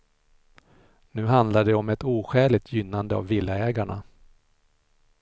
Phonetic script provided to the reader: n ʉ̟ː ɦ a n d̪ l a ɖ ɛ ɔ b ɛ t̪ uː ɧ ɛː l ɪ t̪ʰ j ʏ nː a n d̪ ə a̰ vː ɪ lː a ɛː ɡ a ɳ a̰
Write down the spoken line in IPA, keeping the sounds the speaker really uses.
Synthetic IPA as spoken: n ʉ̟ː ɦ a n d̪ l a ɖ ɛ ɔ m ɛ t̪ uː ɧ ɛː l ɪ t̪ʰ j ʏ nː a n d̪ ə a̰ vː ɪ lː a ɛː ɡ a ɳ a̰